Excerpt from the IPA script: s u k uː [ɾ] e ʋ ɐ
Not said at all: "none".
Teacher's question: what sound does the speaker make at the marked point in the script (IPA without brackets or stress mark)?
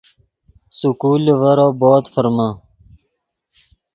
l